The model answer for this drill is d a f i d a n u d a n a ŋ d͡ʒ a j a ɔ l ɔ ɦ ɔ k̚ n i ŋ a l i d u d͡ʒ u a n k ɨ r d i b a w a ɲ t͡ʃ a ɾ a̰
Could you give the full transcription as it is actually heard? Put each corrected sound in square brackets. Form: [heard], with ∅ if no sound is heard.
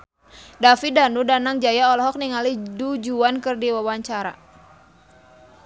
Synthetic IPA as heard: d a f i d a n u d a n a ŋ d͡ʒ a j a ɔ l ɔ ɦ ɔ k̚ n i ŋ a l i d u d͡ʒ u a n k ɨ r d i [w] a w a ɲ t͡ʃ a ɾ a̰